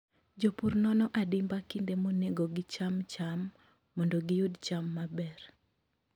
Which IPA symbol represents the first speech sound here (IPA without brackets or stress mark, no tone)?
d͡ʒ